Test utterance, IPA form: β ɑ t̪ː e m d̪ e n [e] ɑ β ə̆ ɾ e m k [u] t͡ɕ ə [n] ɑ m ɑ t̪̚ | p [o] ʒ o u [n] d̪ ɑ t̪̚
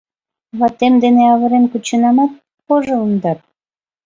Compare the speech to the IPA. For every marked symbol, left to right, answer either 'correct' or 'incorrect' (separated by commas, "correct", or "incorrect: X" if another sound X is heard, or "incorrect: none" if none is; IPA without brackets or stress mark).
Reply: correct, correct, correct, correct, correct